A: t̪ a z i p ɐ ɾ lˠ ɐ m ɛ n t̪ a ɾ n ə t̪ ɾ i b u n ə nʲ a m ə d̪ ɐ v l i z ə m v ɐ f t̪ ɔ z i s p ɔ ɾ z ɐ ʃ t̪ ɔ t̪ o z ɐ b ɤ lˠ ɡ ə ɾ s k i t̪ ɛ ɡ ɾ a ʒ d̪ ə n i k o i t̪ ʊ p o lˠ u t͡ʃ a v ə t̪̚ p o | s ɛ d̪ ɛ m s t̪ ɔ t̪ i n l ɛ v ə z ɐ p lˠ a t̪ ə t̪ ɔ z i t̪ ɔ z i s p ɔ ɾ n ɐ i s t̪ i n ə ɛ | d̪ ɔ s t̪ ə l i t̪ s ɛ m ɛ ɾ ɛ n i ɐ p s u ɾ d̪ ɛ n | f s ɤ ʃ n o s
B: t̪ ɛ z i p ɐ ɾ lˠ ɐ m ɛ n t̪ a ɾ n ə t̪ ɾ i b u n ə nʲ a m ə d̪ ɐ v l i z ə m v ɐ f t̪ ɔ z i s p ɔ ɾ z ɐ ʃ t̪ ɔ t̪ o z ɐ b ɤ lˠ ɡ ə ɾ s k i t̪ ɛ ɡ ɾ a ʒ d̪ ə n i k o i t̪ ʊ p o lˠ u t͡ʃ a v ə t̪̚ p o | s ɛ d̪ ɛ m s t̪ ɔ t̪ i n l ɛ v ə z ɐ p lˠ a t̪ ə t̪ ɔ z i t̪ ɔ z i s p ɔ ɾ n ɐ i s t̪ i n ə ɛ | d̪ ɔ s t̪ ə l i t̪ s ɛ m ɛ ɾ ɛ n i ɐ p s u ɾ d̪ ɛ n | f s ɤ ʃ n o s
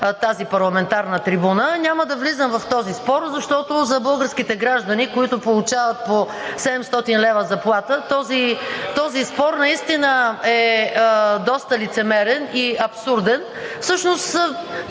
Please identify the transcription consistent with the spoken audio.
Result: A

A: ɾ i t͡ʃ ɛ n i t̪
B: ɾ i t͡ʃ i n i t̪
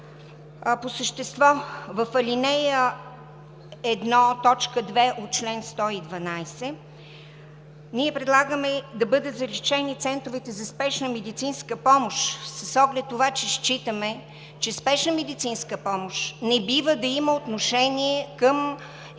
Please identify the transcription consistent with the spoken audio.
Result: A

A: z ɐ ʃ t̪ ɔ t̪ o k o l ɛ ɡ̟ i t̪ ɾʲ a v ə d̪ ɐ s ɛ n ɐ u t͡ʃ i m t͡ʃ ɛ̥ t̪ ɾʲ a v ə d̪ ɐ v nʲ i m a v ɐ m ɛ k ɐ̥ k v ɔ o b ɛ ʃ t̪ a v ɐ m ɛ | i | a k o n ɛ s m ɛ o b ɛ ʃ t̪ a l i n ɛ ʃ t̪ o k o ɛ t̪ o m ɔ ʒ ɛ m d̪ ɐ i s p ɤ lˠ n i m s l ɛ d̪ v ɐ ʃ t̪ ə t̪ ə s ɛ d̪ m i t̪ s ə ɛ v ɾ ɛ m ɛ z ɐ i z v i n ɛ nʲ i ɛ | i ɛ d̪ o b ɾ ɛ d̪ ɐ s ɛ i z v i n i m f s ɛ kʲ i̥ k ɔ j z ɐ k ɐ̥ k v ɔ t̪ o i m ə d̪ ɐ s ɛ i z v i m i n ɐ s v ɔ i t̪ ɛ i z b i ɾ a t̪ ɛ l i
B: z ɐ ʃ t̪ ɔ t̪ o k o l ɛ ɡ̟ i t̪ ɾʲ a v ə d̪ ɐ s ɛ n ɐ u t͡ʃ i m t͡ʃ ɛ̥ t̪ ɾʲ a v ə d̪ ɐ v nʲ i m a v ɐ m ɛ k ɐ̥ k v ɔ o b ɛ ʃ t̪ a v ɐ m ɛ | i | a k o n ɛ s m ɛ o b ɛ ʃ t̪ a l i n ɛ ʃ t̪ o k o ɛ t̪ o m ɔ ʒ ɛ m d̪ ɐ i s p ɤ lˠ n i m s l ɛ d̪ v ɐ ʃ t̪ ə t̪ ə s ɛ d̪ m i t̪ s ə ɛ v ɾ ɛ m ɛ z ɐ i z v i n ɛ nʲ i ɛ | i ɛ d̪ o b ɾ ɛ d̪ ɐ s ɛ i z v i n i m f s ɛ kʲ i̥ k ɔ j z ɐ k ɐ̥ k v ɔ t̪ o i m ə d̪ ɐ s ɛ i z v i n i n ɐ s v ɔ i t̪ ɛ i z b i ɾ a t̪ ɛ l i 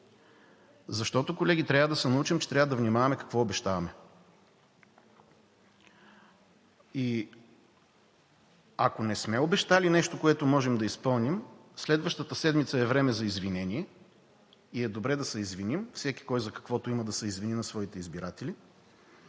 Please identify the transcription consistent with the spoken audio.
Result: B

